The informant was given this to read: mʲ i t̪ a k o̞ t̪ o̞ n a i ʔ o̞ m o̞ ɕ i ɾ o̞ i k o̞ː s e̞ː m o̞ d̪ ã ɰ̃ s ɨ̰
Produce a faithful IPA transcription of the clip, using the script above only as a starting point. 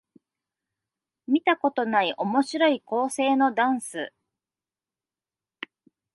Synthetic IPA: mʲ i t̪ a k o̞ t̪ o̞ n a i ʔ o̞ m o̞ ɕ i ɾ o̞ i k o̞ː s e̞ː n o̞ d̪ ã ɰ̃ s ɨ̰